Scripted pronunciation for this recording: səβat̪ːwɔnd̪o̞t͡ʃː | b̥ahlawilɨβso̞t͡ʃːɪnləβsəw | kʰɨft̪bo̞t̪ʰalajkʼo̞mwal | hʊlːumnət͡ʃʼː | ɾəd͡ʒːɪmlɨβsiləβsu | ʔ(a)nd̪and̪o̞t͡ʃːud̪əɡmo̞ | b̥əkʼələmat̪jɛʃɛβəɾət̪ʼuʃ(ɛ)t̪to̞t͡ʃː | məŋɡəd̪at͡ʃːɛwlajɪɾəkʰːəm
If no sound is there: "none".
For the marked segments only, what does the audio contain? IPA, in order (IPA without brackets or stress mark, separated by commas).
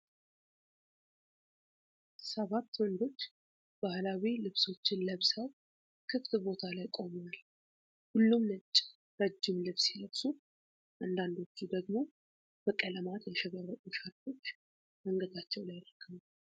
a, a